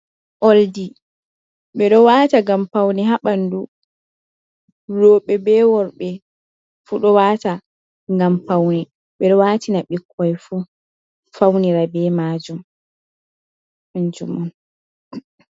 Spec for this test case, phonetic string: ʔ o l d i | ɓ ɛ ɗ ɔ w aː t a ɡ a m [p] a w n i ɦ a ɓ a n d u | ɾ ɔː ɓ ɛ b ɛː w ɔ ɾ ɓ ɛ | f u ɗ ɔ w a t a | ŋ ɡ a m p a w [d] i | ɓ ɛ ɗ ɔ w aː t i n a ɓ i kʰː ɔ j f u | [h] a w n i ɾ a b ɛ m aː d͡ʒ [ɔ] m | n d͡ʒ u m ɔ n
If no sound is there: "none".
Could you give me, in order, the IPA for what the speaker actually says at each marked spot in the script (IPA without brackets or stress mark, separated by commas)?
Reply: p, n, f, u